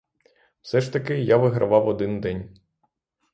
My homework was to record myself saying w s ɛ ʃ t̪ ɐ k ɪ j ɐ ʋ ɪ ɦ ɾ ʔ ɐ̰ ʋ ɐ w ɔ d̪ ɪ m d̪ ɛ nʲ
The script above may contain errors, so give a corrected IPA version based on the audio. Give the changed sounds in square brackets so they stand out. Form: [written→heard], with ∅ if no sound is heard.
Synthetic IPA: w s ɛ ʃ t̪ ɐ k ɪ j [ɐ→a] ʋ ɪ ɦ ɾ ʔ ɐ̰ ʋ [ɐ→ɑ] w ɔ d̪ ɪ [m→n] d̪ ɛ nʲ